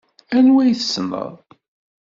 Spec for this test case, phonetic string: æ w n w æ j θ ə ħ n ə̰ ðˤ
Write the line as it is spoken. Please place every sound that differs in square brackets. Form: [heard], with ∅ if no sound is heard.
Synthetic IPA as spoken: æ [∅] n w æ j θ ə [s] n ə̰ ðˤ